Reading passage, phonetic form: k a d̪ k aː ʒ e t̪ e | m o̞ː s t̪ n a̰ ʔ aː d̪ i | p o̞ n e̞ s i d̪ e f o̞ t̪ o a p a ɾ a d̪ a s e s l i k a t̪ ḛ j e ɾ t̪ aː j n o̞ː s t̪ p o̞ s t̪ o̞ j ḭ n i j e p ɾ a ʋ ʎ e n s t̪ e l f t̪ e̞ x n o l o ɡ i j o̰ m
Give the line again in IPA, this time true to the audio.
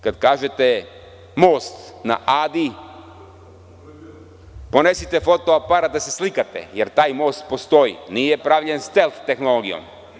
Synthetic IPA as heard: k a d̪ k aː ʒ e t̪ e | m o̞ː s t̪ n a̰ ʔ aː d̪ i | p o̞ n e̞ s i t̪ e f o̞ t̪ o a p a ɾ a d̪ a s e s l i k a t̪ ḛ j e ɾ t̪ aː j m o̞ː s t̪ p o̞ s t̪ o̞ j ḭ n i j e p ɾ a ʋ ʎ e n s t̪ e l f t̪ e̞ x n o l o ɡ i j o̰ m